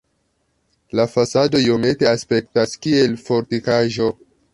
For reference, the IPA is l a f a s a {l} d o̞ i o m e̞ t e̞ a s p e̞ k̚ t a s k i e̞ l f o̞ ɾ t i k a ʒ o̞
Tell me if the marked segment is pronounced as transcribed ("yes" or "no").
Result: no